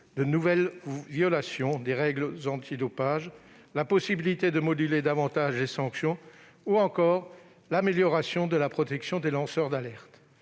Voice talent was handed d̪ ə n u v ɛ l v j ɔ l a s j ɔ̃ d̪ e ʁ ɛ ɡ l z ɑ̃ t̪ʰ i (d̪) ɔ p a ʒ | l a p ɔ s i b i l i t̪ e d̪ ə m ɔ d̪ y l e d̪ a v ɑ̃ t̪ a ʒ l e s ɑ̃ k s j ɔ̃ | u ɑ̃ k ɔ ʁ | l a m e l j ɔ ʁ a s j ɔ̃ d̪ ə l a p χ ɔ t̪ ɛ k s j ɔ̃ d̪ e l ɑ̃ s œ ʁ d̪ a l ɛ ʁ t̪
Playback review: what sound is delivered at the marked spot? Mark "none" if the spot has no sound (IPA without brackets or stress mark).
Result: d̪